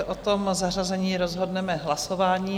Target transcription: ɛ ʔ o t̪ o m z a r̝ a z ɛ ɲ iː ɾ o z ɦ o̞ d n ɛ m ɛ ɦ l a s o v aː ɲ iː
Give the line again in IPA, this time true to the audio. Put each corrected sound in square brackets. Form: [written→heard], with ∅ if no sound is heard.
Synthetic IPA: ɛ ʔ o t̪ o m z a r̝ a z ɛ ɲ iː ɾ o z ɦ o̞ d n ɛ m ɛ ɦ l a s o v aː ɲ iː